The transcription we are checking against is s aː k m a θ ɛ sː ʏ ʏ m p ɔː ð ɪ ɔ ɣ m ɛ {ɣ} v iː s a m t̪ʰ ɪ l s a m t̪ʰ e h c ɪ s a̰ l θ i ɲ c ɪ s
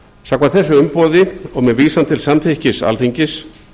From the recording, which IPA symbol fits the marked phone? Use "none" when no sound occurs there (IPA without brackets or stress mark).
ð